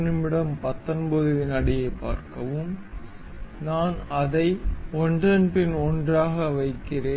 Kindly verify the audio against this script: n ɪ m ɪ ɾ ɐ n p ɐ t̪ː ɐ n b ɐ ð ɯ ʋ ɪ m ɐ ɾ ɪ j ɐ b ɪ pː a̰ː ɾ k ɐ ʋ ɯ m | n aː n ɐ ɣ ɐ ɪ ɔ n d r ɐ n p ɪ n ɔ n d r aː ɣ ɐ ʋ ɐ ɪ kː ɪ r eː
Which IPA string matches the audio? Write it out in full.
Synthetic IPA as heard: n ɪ m ɪ ɽ ɐ m p ɐ t̪ː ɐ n b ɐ ð ɯ ʋ ɪ n ɐ ɽ ɪ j ɐ ɪ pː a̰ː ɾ k ɐ ʋ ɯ m | n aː n ɐ ð ɐ ɪ ɔ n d r ɐ n p ɪ n ɔ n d r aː ɣ ɐ ʋ ɐ ɪ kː ɪ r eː